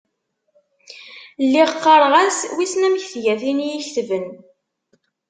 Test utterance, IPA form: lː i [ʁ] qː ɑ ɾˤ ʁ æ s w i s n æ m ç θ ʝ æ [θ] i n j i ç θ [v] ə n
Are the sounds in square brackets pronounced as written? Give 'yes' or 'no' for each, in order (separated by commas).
yes, yes, yes